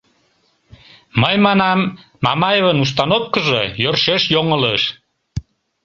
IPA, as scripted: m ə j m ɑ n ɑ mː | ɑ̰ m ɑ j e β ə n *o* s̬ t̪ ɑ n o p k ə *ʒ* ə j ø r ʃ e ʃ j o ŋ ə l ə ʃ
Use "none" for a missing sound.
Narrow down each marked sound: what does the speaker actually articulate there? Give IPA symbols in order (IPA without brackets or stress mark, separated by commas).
u, ʒ